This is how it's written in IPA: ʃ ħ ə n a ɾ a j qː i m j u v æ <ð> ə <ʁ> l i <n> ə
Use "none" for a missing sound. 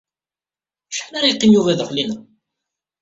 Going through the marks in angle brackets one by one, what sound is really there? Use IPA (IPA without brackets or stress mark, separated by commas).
ð, χ, n